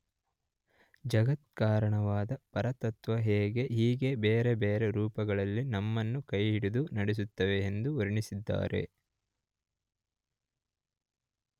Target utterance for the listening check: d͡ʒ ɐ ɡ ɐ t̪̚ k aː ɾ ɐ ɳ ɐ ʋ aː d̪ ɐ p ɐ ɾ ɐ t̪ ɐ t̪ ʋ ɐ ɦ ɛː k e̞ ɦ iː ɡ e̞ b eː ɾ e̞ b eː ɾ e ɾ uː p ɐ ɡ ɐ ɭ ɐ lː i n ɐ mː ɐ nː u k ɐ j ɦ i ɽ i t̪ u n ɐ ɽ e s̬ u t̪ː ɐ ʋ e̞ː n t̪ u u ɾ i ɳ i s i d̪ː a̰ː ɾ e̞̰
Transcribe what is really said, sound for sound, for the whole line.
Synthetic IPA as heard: d͡ʒ ɐ ɡ ɐ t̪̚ k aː ɾ ɐ ɳ ɐ ʋ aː d̪ ɐ p ɐ ɾ ɐ t̪ ɐ t̪ ʋ ɐ ɦ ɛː ɡ e̞ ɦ iː ɡ e̞ b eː ɾ e̞ b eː ɾ e ɾ uː p ɐ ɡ ɐ ɭ ɐ lː i n ɐ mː ɐ nː u k ɐ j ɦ i ɽ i d̪ u n ɐ ɽ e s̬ u t̪ː ɐ ʋ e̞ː n d̪ u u ɾ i ɳ i s i d̪ː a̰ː ɾ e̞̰